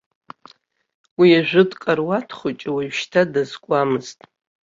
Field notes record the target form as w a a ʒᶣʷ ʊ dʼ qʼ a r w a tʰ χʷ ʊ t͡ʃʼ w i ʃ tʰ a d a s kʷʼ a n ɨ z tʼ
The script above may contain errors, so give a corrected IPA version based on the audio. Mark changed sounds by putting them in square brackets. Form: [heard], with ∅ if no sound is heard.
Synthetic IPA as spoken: w [i] a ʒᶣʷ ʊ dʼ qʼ a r w a tʰ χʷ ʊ t͡ʃʼ w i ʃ tʰ a d a [z] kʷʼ a [m] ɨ z tʼ